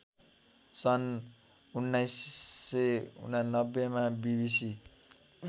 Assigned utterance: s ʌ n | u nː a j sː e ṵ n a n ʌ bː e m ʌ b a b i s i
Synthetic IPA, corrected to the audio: s ʌ n | u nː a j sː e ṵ n a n ʌ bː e m a b i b i s i

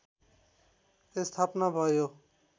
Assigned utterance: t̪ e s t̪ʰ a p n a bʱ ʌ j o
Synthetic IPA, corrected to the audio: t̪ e s t̪ʰ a p n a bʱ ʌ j o

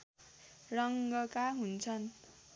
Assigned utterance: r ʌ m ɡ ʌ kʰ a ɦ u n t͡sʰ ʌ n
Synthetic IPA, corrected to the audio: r ʌ ŋ ɡ ʌ k a ɦ u n t͡sʰ ʌ n

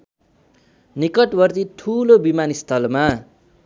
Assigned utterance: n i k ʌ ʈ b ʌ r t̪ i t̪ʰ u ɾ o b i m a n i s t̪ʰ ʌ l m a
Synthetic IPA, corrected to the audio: n i k ʌ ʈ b ʌ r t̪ i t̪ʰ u l o b i m a n i s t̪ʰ ʌ l m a

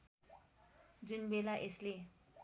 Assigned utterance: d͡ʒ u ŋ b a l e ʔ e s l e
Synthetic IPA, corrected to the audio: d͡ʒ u n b e l a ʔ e s l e

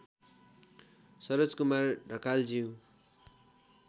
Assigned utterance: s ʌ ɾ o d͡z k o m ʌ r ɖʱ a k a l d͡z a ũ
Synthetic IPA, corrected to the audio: s ʌ ɾ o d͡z k u m a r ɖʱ ʌ k a l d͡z i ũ

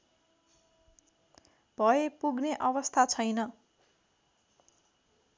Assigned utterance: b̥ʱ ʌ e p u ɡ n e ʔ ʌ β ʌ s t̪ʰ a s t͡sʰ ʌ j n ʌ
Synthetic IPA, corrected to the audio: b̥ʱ ʌ e p u ɡ n e ʔ ʌ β ʌ s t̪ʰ a t͡sʰ ʌ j n ʌ

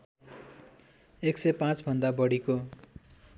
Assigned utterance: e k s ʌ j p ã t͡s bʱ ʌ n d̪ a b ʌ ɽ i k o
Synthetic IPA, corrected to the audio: e k s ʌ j p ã t͡s bʱ ʌ n d̪ a b ʌ ɽ i k o

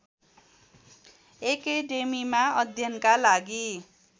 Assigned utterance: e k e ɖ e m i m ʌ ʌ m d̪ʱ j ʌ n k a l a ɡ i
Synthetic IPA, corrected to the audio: e k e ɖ e m i m a ʌ d̪ʱ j ʌ n k a l a ɡ i

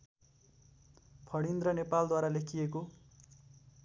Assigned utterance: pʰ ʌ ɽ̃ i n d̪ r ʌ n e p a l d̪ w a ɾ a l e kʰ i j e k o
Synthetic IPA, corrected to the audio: pʰ ʌ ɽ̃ i n d̪ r ʌ n e p a l d̪ w a ɾ a l e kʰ i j e k o

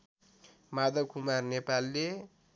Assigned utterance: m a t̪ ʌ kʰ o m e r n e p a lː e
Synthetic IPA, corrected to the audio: m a d̪ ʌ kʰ u m a r n e p a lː e

